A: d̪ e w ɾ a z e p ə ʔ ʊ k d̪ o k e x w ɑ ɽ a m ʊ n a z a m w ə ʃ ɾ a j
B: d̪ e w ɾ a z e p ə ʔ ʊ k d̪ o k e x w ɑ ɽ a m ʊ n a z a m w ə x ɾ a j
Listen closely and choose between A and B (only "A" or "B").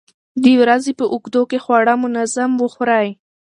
B